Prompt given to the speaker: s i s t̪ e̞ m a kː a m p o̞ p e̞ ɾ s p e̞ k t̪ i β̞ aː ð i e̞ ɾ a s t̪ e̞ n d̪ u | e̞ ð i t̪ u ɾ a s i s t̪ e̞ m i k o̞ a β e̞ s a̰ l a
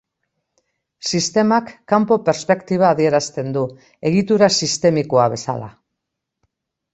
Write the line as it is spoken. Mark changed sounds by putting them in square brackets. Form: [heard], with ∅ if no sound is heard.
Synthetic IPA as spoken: s i s t̪ e̞ m a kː a m p o̞ p e̞ ɾ s p e̞ k t̪ i β̞ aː ð i e̞ ɾ a s t̪ e̞ n d̪ u | e̞ [ɣ] i t̪ u ɾ a s i s t̪ e̞ m i k o̞ a β e̞ s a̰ l a